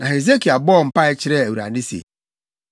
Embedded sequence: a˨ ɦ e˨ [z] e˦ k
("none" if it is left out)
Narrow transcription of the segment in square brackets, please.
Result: z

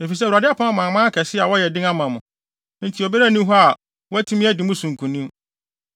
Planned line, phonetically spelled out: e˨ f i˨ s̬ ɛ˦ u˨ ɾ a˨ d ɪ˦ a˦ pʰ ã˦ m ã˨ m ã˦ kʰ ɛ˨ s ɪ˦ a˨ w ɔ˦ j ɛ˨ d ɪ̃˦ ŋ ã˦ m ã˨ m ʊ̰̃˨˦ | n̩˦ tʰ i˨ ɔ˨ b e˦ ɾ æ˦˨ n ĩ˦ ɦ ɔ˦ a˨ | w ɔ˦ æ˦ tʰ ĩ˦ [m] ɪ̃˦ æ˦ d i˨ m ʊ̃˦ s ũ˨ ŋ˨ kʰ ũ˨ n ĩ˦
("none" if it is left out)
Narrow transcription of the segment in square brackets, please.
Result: m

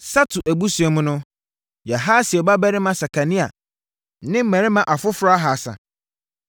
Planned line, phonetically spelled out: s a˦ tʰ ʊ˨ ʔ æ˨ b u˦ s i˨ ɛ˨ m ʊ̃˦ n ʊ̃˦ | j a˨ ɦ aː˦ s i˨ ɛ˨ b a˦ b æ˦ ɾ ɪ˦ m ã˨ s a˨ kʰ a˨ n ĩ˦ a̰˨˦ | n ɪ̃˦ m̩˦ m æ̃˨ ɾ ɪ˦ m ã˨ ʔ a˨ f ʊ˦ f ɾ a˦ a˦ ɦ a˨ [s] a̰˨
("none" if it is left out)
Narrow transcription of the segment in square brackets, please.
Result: s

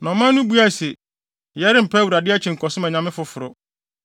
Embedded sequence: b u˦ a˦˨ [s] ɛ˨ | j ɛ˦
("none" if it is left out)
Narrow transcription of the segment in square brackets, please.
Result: s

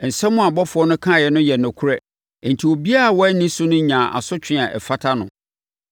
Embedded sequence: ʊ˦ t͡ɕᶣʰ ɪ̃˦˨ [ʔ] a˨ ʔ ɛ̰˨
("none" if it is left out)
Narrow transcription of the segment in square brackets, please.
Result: none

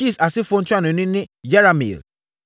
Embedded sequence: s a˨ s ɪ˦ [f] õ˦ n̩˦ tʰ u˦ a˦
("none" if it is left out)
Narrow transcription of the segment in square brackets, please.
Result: f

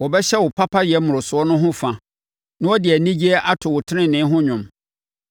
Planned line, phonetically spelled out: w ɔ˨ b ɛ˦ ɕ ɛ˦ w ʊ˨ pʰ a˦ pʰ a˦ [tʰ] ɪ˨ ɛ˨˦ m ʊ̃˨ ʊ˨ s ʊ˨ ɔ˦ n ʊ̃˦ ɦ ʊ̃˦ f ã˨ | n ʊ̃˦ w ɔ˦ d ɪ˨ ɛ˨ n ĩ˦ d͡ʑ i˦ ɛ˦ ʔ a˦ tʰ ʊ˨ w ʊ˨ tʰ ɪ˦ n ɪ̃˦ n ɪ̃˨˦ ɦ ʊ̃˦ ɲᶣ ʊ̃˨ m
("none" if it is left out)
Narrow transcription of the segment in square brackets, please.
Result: none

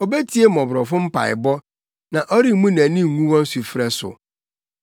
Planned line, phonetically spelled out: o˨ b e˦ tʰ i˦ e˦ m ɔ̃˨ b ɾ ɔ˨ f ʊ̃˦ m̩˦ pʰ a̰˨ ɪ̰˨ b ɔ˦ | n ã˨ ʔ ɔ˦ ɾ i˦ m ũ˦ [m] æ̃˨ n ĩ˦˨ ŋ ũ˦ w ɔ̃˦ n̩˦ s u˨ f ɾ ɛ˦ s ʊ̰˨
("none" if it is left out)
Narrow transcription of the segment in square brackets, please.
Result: n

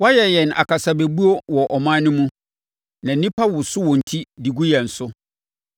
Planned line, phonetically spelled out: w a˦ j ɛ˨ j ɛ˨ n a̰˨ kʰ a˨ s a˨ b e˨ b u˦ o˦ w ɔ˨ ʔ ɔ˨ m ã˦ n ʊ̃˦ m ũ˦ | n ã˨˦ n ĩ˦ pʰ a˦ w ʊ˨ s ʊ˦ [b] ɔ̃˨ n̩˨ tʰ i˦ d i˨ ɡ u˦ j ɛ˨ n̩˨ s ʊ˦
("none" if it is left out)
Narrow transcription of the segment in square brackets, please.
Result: w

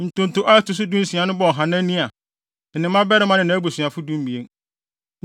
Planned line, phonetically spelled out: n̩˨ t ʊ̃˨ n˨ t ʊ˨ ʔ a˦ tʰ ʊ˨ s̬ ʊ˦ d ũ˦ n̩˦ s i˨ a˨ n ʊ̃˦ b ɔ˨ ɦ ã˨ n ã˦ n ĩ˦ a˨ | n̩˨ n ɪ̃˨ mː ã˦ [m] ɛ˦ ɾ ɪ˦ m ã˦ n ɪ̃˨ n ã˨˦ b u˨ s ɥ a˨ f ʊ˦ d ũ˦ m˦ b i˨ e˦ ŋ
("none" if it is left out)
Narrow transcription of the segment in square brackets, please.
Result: b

